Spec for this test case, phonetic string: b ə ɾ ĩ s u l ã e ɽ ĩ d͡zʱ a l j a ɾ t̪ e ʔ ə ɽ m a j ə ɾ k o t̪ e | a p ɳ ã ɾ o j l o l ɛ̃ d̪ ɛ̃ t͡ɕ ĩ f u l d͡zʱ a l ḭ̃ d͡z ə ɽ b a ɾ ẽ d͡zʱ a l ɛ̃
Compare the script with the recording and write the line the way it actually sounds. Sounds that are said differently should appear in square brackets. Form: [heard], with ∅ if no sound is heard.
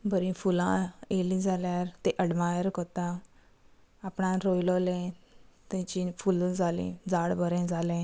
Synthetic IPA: b ə ɾ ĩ [f] u l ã e [l] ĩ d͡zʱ a l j a ɾ t̪ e ʔ ə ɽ m a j ə ɾ k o t̪ [a] | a p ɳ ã ɾ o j l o l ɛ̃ [t̪] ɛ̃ t͡ɕ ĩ f u l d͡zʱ a l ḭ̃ d͡z [a] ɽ b [ə] ɾ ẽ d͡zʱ a l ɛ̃